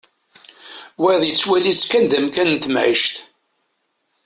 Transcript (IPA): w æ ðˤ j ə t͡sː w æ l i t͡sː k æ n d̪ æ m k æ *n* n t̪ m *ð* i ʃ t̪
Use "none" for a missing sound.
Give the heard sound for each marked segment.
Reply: n, ʕ

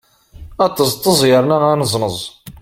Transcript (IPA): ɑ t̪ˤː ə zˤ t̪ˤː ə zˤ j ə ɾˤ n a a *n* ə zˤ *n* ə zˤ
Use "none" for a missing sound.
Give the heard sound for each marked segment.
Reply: n, n

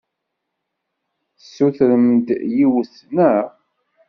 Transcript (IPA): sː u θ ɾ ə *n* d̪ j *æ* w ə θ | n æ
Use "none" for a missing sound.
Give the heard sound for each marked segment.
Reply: m, i

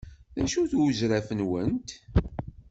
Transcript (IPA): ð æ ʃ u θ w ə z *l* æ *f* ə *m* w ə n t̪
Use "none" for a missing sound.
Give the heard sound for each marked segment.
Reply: ɾ, f, n

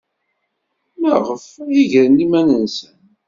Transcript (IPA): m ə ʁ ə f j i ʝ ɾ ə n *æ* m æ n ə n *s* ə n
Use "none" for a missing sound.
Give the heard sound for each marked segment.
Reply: i, s

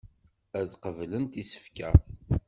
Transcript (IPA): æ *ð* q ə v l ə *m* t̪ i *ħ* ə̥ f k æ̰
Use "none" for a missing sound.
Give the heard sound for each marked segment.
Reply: ð, n, s

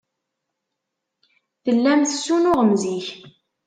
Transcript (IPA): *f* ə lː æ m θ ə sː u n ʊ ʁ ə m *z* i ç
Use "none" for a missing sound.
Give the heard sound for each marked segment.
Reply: θ, z

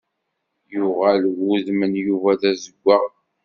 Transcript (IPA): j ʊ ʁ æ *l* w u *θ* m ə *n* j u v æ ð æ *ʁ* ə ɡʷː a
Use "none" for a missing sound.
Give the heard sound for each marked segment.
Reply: l, ð, n, z

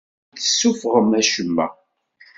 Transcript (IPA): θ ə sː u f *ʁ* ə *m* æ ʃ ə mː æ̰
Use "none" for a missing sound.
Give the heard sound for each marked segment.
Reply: ʁ, m

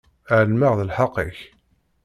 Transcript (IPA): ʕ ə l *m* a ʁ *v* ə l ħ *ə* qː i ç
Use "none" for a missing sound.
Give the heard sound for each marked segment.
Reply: m, ð, ɑ

